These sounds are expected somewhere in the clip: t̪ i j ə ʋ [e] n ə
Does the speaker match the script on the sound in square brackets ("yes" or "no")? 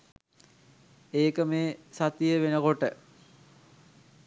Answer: yes